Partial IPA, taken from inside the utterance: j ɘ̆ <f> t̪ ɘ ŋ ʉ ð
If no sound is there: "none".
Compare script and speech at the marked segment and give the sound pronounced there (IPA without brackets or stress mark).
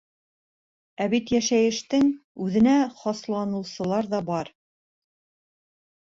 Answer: ʃ